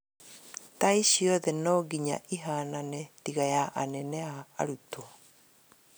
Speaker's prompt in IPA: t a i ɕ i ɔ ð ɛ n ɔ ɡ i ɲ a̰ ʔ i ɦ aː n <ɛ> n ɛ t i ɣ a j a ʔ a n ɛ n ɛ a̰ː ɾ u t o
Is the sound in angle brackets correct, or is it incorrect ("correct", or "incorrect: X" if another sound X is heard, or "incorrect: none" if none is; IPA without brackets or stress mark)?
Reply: incorrect: a